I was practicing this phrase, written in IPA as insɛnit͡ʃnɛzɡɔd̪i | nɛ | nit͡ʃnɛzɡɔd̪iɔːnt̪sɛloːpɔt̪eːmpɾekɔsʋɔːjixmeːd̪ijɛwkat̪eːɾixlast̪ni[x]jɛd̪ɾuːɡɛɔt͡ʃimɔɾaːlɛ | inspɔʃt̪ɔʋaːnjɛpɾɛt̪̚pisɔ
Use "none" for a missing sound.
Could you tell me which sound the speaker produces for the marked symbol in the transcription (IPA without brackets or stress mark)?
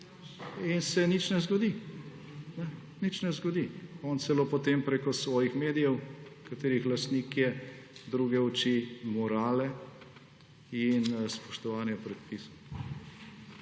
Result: k